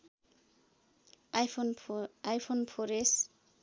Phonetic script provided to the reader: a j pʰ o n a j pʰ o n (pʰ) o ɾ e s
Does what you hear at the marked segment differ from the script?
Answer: no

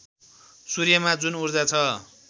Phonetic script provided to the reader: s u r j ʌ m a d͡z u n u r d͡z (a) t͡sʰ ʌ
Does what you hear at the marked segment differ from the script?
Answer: no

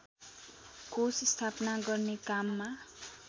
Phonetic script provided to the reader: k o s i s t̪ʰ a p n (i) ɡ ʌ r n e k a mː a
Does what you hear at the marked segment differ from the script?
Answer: yes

